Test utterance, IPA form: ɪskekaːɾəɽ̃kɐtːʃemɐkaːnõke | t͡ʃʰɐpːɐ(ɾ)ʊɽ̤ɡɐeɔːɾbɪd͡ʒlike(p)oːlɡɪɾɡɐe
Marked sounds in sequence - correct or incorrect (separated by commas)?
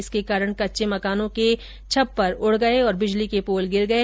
correct, correct